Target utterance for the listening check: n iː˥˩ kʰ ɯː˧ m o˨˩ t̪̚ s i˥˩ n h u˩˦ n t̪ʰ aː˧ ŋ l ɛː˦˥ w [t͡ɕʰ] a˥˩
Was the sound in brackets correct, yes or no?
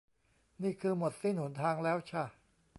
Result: yes